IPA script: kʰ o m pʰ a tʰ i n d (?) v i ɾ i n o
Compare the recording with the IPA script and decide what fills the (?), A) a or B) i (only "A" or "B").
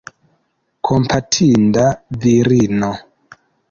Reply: A